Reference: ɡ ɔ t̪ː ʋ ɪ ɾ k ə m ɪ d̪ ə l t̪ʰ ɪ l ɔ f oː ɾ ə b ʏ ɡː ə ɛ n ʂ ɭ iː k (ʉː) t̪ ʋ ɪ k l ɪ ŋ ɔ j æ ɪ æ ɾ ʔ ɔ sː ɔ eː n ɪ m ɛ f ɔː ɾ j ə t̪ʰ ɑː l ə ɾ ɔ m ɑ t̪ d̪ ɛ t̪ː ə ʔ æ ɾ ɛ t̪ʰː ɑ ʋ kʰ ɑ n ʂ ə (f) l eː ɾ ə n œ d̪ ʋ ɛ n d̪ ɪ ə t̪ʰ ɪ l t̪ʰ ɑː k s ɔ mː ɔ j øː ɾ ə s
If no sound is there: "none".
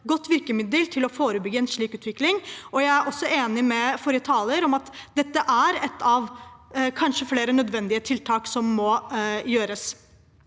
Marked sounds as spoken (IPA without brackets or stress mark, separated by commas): ʉː, f